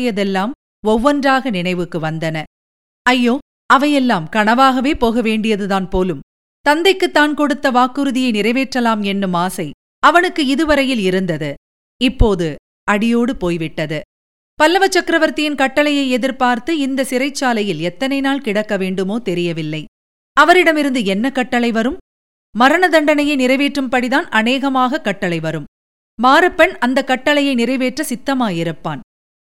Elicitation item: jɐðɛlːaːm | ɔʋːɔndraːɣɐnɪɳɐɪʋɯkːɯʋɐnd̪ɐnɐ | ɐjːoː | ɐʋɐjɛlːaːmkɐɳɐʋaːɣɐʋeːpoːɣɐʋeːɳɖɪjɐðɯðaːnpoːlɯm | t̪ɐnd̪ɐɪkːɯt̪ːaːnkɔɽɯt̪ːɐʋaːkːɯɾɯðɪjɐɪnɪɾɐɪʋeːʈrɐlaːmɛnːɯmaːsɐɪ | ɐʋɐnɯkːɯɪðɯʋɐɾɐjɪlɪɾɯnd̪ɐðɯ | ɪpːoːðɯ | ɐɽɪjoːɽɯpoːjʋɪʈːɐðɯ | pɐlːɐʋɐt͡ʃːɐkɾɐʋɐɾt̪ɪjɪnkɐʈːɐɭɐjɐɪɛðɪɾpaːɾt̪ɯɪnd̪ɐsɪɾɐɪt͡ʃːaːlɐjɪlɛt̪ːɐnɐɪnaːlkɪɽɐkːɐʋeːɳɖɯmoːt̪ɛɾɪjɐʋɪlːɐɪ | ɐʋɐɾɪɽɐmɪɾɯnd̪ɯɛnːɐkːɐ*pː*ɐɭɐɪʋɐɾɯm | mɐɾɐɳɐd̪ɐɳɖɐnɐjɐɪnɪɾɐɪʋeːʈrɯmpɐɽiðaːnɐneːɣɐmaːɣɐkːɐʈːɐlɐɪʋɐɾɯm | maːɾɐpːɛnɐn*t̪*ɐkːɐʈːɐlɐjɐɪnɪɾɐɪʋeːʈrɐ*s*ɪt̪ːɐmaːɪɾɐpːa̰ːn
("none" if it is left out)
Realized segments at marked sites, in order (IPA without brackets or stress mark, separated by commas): ʈː, d̪, s